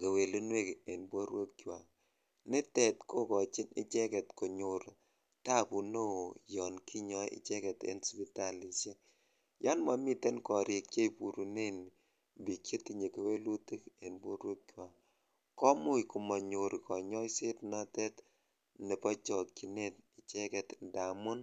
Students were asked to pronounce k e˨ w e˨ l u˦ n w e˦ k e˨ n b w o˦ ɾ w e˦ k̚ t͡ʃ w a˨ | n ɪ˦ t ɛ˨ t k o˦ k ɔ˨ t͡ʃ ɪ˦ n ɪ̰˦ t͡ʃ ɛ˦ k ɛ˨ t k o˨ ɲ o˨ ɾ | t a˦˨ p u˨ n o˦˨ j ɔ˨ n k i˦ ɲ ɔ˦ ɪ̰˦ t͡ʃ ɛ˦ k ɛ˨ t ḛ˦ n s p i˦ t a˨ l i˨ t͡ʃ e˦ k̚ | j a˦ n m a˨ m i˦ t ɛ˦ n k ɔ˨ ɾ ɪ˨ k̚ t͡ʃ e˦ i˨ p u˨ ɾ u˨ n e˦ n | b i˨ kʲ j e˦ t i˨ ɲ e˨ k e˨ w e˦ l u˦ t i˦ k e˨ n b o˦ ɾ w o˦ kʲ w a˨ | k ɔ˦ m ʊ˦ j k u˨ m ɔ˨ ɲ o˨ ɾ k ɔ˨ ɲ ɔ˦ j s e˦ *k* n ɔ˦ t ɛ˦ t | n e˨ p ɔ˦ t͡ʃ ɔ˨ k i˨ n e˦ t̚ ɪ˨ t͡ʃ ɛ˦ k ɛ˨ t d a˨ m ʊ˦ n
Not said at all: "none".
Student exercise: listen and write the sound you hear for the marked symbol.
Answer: t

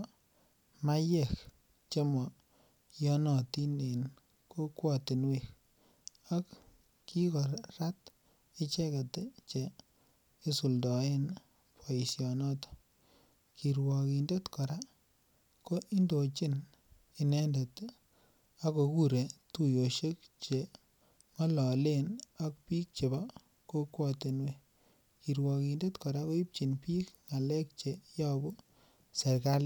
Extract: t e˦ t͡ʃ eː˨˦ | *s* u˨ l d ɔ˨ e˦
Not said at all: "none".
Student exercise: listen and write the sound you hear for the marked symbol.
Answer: s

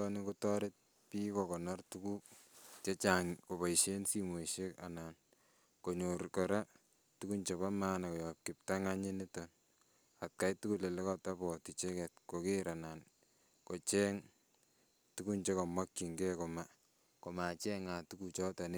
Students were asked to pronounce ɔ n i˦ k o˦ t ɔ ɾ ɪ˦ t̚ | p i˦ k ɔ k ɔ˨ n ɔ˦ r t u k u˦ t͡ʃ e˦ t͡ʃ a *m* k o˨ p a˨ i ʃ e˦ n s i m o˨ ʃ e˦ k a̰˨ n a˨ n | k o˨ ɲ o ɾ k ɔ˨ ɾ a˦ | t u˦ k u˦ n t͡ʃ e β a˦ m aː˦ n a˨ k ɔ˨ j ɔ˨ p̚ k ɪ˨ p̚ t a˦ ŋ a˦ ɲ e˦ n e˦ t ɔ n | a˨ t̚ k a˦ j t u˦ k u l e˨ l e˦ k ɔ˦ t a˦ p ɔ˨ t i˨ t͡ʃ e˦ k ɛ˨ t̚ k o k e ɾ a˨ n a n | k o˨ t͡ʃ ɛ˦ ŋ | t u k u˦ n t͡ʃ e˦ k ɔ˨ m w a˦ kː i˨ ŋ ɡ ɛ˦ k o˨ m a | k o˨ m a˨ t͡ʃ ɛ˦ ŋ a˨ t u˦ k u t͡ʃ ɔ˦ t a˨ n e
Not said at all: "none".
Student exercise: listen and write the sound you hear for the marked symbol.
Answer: ŋ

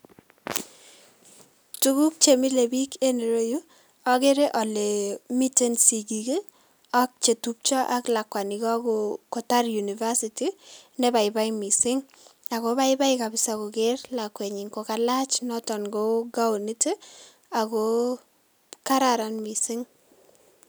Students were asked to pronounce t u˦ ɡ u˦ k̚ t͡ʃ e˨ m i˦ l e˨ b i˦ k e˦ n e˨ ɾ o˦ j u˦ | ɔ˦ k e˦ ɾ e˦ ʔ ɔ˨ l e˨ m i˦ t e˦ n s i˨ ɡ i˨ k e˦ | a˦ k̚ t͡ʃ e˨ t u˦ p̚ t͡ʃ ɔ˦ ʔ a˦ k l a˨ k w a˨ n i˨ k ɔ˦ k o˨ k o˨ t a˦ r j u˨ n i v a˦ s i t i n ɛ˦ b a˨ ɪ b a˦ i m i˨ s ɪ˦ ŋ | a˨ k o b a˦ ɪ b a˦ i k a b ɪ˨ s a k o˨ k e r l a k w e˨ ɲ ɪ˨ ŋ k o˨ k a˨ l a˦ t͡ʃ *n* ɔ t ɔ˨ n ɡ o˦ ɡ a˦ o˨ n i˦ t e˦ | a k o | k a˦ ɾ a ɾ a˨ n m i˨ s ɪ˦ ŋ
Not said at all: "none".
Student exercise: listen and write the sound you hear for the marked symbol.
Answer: n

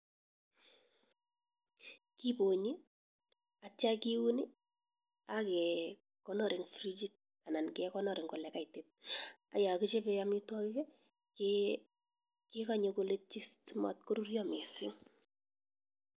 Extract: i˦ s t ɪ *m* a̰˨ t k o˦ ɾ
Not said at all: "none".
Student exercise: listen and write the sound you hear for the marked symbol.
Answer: m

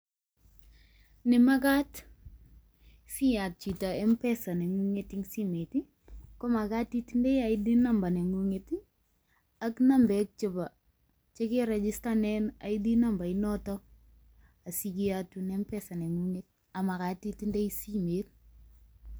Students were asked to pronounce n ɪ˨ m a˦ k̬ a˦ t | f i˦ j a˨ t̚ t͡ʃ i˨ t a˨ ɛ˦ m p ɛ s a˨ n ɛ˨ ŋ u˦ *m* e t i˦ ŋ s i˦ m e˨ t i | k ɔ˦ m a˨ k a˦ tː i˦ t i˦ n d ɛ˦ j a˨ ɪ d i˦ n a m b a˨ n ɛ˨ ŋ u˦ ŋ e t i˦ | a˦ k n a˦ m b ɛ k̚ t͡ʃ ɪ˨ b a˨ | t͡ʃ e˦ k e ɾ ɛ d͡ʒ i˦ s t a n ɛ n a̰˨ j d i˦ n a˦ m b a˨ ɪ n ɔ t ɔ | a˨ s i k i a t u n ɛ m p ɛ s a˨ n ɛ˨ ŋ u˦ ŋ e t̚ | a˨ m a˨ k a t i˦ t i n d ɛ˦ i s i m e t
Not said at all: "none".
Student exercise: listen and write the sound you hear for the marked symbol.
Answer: ŋ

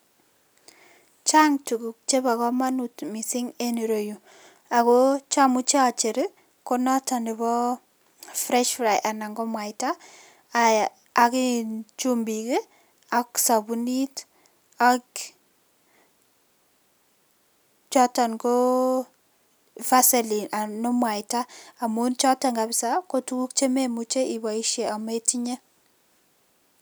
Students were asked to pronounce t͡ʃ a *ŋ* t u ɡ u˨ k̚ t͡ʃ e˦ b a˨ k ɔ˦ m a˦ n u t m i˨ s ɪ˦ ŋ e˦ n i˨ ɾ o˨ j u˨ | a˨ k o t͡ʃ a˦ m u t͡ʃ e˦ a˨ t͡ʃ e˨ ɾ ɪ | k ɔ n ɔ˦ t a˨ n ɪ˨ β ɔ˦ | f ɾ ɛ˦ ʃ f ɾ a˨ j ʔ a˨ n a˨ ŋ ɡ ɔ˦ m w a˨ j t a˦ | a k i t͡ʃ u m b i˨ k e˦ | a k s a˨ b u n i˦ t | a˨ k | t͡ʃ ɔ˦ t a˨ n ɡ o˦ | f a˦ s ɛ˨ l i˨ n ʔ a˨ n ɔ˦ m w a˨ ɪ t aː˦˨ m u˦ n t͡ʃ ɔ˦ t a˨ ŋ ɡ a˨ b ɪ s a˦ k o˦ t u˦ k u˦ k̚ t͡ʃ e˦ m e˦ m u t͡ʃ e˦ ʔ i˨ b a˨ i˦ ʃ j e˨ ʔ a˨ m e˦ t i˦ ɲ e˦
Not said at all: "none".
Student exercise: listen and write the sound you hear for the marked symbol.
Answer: ŋ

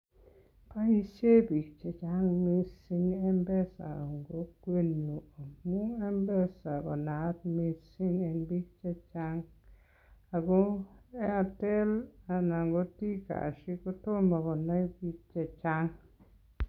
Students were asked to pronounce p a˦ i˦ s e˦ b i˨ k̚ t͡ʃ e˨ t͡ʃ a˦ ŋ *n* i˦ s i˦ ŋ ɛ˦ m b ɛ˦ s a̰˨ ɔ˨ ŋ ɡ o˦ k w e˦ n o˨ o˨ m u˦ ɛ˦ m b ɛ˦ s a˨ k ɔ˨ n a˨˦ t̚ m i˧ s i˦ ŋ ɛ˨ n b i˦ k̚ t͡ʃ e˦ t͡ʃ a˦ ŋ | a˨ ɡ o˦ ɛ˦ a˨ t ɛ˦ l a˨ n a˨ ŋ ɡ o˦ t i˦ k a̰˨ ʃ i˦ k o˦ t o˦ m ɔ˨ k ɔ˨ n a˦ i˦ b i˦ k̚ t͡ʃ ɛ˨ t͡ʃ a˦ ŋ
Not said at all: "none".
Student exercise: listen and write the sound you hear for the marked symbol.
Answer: m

